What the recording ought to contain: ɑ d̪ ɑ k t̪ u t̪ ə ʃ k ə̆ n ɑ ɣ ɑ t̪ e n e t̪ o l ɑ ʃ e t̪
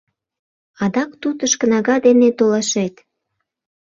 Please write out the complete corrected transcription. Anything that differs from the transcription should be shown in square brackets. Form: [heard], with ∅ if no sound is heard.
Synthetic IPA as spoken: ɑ d̪ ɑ k t̪ u t̪ ə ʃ k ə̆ n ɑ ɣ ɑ [d̪] e n e t̪ o l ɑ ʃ e t̪